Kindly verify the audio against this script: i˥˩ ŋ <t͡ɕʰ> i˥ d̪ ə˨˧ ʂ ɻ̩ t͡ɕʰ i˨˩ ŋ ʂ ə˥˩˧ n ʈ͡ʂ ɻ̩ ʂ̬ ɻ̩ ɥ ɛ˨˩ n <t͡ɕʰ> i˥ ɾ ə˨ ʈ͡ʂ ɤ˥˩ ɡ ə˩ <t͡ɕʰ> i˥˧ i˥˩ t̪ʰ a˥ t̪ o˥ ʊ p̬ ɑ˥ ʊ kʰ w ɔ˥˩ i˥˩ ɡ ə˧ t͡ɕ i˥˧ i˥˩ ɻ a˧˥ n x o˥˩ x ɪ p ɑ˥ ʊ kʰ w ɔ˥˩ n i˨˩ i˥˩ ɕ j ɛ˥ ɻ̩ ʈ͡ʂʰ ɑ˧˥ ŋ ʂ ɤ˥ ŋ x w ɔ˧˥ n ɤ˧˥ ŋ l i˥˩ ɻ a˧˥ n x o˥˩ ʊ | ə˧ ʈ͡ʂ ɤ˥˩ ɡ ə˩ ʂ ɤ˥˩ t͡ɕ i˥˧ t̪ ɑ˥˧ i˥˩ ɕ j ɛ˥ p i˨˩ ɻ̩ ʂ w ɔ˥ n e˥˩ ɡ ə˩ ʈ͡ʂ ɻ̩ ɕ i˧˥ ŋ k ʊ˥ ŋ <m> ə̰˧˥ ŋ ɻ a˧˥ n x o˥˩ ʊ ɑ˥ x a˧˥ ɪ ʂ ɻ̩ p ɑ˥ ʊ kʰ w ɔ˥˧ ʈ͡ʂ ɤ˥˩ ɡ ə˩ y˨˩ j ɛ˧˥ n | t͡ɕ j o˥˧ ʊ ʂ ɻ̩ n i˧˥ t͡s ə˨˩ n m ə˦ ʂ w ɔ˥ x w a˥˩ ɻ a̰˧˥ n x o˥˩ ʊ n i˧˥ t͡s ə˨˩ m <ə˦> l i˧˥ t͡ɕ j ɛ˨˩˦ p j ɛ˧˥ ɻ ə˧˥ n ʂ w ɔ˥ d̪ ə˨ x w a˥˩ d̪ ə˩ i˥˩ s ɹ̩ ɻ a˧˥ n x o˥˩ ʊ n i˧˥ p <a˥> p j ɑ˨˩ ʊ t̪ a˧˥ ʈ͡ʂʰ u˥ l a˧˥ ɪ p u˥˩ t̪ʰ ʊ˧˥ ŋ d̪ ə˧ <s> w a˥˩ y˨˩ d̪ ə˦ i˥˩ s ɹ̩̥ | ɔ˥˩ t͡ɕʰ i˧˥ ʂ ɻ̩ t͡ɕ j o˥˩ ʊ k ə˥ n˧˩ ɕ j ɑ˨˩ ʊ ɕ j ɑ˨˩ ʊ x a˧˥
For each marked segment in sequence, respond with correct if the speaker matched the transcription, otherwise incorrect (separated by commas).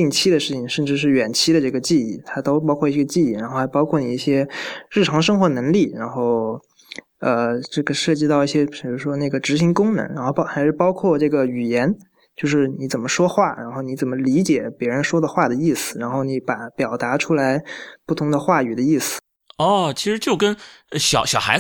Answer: correct, correct, incorrect, incorrect, correct, incorrect, incorrect